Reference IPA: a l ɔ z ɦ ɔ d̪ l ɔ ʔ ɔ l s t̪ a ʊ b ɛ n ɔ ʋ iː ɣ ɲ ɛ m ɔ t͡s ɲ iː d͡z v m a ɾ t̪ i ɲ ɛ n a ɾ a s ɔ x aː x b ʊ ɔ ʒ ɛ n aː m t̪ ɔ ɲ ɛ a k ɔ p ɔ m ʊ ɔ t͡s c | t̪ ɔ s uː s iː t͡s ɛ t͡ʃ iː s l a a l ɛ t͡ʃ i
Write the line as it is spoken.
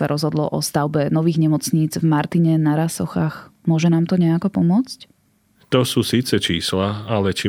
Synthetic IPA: a ɾ ɔ z ɦ ɔ d̪ l ɔ ʔ ɔ s t̪ a ʊ b ɛ n ɔ ʋ iː ɣ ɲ ɛ m ɔ t͡s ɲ iː d͡z v m a ɾ t̪ i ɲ ɛ n a ɾ a s ɔ x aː x m ʊ ɔ ʒ ɛ n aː m t̪ ɔ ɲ ɛ a k ɔ p ɔ m ʊ ɔ t͡s c | t̪ ɔ s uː s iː t͡s ɛ t͡ʃ iː s l a a l ɛ t͡ʃ i